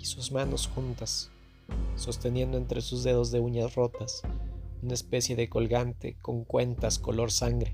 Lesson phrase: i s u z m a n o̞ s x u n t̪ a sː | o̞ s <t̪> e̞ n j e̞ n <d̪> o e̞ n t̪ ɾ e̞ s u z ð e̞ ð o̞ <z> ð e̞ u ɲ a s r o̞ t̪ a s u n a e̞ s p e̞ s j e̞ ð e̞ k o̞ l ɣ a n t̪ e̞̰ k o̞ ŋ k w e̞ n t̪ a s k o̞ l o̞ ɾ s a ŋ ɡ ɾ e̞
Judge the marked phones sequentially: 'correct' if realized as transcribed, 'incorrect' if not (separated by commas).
correct, correct, correct